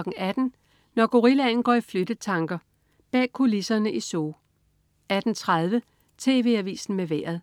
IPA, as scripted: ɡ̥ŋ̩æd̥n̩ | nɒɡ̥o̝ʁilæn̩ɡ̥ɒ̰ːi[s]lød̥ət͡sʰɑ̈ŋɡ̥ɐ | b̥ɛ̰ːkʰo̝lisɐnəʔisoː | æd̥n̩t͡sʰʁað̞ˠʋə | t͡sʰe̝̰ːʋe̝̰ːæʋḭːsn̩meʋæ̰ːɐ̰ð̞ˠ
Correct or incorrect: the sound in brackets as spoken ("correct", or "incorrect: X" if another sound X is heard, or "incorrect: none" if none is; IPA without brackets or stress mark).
incorrect: f